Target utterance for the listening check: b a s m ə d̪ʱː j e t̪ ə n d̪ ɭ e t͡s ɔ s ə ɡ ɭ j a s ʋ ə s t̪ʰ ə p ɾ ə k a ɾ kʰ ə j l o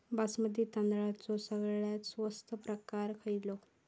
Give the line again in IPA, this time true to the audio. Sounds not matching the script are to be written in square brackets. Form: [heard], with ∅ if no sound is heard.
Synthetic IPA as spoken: b a s m ə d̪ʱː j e t̪ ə n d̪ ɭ [a] t͡s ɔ s ə ɡ ɭ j a s ʋ ə s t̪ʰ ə p ɾ ə k a ɾ kʰ ə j l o

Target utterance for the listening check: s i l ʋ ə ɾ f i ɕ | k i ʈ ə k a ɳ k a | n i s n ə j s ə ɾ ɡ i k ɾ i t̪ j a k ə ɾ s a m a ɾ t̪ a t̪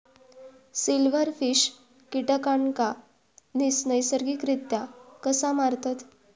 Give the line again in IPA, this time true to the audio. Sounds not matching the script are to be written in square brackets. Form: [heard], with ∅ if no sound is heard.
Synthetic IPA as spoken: s i l ʋ ə ɾ f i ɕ | k i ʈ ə k a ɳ k a | n i s n ə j s ə ɾ ɡ i k ɾ i t̪ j a k ə [∅] s a m a ɾ t̪ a t̪

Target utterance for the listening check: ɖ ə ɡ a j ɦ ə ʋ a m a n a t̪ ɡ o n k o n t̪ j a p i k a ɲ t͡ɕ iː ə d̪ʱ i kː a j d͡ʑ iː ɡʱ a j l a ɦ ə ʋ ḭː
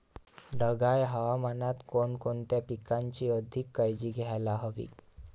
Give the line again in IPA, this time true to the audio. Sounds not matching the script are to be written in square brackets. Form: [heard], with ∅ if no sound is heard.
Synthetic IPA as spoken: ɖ ə ɡ a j ɦ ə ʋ a m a n a t̪ [k] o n k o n t̪ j a p i k a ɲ t͡ɕ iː ə d̪ʱ i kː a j d͡ʑ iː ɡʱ a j l a ɦ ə ʋ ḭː

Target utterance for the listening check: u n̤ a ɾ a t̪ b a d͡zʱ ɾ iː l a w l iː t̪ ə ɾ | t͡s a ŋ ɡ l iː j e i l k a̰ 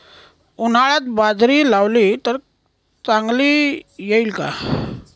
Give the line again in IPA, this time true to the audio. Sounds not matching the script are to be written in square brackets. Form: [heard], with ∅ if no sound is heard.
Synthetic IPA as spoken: u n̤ a [ɭ] a t̪ b a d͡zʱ ɾ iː l a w l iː t̪ ə ɾ | t͡s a ŋ ɡ l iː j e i l k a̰

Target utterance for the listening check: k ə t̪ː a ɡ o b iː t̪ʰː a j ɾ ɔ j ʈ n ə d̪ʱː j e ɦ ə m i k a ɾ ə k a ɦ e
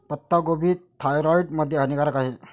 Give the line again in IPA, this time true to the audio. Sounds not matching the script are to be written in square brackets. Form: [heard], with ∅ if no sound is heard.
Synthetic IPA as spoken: [p] ə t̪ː a ɡ o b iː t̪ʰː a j ɾ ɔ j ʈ [m] ə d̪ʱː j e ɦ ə [n] i k a ɾ ə k a ɦ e

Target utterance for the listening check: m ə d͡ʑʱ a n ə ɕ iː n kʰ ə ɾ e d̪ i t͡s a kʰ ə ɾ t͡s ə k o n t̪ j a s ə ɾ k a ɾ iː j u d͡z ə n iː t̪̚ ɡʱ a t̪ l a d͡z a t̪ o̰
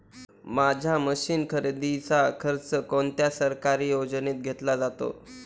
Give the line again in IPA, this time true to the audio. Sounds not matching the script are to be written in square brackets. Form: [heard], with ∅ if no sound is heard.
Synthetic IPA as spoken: m [a] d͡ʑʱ a [m] ə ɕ iː n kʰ ə ɾ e d̪ i t͡s a kʰ ə ɾ t͡s ə k o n t̪ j a s ə ɾ k a ɾ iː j [o] d͡z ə n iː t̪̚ ɡʱ [e] t̪ l a d͡z a t̪ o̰

